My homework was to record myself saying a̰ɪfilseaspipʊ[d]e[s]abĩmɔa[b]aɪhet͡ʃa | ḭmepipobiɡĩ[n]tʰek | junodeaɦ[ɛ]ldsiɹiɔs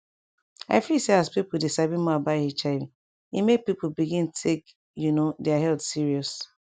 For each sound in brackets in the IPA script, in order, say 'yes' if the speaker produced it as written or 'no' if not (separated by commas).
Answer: yes, yes, yes, yes, yes